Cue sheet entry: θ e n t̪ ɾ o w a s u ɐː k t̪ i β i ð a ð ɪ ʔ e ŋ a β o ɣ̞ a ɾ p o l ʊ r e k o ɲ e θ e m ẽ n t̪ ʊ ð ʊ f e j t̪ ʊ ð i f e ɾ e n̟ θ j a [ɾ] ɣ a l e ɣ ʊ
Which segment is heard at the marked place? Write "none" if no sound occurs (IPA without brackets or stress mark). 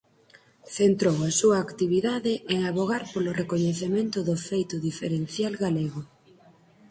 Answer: l